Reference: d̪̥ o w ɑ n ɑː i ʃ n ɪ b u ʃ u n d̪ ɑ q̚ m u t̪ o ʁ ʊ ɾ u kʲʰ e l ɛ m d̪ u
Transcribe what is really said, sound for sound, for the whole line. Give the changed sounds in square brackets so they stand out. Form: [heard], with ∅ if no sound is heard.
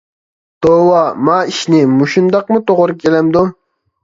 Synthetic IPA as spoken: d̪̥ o w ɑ [m] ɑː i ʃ n ɪ [m] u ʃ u n d̪ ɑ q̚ m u t̪ o ʁ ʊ ɾ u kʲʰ e l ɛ m d̪ u